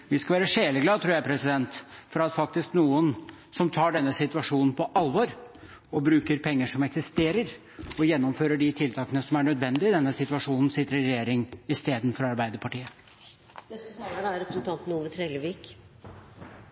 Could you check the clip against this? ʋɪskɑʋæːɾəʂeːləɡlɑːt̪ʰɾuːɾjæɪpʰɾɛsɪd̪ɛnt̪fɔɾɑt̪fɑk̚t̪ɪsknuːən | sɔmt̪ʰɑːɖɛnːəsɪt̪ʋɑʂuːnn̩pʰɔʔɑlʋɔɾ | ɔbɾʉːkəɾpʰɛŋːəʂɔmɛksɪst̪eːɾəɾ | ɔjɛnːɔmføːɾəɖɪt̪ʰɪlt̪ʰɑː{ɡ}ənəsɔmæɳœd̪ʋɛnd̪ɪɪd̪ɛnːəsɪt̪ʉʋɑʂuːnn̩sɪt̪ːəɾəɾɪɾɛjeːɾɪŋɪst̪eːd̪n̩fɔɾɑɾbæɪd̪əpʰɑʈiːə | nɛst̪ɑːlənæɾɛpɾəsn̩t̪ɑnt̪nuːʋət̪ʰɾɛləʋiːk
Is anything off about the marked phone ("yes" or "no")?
yes